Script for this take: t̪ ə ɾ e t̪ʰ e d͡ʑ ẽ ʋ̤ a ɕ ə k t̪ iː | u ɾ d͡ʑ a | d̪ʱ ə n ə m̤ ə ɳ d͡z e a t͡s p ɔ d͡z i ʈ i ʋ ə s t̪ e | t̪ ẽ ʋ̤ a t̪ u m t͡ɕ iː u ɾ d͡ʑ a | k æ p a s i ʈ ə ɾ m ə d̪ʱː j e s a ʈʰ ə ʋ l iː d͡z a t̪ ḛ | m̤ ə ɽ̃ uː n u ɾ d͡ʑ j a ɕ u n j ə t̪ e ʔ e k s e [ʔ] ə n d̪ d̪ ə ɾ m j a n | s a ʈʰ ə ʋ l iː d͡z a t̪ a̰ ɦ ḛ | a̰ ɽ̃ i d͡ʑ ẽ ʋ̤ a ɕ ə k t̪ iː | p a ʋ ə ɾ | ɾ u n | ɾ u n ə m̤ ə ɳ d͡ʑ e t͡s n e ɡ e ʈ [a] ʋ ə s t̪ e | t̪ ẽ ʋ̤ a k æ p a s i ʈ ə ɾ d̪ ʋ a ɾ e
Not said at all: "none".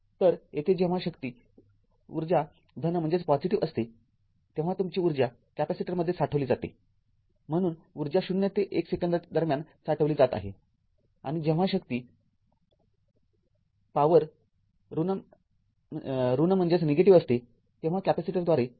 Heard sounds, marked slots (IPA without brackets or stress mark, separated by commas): k, i